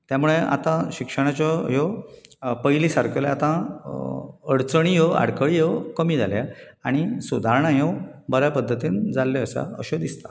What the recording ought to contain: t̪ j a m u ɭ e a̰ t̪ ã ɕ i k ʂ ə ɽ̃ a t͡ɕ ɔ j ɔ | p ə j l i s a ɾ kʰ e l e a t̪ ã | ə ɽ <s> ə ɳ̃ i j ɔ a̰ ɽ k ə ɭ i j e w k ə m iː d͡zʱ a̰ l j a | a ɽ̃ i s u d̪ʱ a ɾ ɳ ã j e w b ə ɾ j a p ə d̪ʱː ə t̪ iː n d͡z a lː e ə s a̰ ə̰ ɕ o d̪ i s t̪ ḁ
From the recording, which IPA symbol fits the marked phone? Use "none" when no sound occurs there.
t͡s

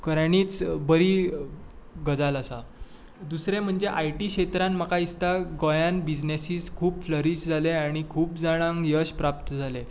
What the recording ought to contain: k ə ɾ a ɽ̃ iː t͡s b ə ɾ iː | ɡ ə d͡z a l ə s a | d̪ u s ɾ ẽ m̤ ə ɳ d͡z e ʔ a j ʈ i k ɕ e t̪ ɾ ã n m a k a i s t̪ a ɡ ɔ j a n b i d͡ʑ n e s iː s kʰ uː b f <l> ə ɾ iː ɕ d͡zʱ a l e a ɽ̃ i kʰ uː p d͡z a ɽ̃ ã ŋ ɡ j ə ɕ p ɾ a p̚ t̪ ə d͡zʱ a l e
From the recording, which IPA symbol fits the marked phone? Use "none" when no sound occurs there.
l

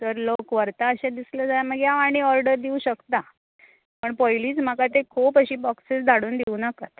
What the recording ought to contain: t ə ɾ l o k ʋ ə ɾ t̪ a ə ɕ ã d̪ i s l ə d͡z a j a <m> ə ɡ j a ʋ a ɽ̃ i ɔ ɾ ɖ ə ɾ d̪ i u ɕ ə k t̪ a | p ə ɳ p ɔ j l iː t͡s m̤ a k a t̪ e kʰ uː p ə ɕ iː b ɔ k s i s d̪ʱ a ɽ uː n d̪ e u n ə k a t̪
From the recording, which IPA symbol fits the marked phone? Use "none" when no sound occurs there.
m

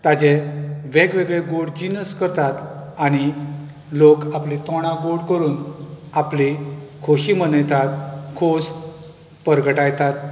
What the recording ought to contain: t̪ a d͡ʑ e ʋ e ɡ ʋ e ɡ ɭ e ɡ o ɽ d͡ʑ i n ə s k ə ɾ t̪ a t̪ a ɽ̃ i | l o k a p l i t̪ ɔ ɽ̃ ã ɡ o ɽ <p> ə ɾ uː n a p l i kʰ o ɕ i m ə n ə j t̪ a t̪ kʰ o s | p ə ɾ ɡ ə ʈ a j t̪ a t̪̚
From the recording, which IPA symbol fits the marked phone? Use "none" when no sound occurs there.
k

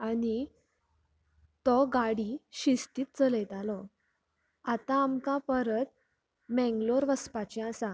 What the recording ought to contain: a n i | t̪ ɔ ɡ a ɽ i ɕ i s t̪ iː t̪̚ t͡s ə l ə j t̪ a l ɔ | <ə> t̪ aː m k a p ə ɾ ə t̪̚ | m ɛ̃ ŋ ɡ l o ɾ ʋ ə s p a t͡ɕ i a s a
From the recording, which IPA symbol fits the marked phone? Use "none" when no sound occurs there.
a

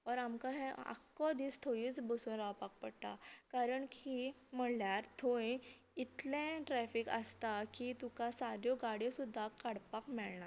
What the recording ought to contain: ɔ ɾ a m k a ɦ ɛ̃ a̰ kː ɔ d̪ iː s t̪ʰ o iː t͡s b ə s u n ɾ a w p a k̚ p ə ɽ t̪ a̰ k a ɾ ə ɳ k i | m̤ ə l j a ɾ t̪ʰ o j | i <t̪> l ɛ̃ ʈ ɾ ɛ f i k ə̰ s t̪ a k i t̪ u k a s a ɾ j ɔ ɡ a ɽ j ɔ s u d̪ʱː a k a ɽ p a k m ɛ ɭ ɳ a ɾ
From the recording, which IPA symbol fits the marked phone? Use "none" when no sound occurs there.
t̪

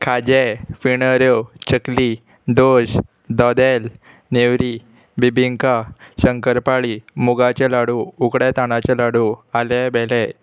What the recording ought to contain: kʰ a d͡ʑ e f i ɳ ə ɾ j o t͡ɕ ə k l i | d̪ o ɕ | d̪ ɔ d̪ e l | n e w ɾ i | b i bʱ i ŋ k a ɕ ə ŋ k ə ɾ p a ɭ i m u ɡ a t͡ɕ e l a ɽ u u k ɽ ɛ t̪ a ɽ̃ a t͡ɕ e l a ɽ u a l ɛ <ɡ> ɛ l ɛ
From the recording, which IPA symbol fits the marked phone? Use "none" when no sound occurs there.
b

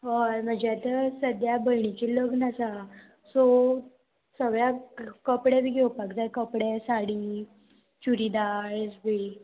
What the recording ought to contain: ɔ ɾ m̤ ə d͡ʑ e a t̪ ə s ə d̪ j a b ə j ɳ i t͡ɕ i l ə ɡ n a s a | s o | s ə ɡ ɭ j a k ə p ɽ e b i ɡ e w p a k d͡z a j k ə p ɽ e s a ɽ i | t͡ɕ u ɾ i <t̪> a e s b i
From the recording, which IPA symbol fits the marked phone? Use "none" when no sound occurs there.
d̪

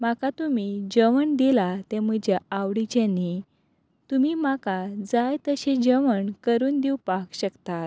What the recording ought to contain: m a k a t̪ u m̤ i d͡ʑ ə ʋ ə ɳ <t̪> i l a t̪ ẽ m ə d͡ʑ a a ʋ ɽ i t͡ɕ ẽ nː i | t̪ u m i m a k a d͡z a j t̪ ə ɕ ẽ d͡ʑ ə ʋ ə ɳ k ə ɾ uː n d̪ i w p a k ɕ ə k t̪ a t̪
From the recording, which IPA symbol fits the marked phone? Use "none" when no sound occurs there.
d̪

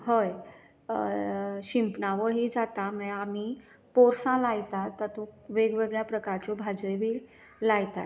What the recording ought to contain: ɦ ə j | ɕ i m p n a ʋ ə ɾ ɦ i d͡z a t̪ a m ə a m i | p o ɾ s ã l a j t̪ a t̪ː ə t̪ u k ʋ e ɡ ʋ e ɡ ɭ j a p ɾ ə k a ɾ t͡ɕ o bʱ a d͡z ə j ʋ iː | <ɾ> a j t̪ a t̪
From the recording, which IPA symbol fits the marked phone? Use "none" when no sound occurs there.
l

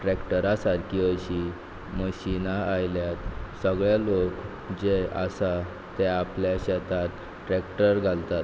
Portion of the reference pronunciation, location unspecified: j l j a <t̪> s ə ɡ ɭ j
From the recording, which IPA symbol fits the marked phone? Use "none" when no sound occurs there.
t̪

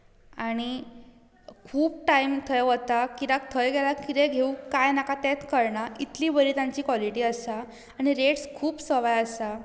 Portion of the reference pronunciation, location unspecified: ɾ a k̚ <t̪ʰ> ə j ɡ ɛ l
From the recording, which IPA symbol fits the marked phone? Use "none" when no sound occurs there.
t̪ʰ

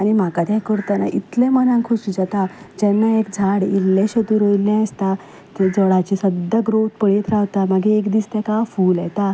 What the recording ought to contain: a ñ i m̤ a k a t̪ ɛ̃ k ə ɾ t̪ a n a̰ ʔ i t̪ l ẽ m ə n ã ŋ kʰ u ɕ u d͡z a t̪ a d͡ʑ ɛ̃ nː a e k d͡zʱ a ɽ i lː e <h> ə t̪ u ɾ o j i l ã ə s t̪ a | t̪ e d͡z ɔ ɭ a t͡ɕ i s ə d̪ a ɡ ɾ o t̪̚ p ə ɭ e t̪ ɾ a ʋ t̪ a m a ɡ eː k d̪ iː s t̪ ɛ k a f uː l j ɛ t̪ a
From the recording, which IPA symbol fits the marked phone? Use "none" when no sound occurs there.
ɕ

